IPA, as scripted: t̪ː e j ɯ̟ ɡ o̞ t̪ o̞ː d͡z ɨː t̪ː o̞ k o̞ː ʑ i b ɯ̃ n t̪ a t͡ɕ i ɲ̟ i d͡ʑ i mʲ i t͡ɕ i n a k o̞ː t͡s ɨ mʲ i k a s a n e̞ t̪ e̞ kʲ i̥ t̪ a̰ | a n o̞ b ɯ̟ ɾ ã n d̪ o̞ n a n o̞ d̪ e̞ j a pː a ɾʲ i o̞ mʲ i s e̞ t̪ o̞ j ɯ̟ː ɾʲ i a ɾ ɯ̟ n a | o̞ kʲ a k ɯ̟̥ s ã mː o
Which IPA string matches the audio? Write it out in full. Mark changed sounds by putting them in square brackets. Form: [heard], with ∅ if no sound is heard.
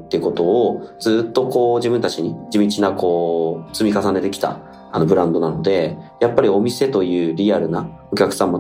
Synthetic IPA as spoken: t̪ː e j ɯ̟ [k] o̞ t̪ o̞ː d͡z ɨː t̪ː o̞ k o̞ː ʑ i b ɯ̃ n t̪ a t͡ɕ i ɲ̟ i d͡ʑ i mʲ i t͡ɕ i n a k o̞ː t͡s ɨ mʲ i k a s a n e̞ t̪ e̞ kʲ i̥ t̪ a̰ | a n o̞ b ɯ̟ ɾ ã n d̪ o̞ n a n o̞ d̪ e̞ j a pː a ɾʲ i o̞ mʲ i s e̞ t̪ o̞ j ɯ̟ː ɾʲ i a ɾ ɯ̟ n a | o̞ kʲ a k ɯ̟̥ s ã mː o